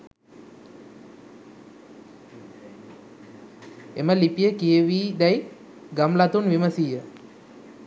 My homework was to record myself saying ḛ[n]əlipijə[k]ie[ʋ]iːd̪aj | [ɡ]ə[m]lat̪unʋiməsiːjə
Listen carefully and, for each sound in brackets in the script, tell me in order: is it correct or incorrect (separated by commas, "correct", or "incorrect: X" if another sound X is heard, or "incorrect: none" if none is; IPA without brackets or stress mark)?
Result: incorrect: m, correct, correct, correct, correct